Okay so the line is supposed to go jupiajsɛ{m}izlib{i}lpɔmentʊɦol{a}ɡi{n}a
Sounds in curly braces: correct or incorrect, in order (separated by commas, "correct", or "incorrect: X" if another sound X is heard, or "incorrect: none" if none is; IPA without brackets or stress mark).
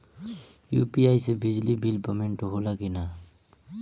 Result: incorrect: b, correct, correct, correct